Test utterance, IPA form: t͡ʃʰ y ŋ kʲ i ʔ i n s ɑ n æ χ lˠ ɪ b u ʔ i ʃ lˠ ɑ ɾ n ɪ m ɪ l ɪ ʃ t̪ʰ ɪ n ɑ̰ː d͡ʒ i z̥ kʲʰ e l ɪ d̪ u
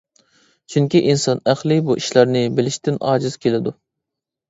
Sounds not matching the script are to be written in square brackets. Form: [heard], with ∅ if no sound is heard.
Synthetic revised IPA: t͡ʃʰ y ŋ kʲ i ʔ i n s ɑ n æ χ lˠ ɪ b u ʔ i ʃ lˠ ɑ ɾ n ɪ [b] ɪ l ɪ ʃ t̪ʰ ɪ n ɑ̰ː d͡ʒ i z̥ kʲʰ e l ɪ d̪ u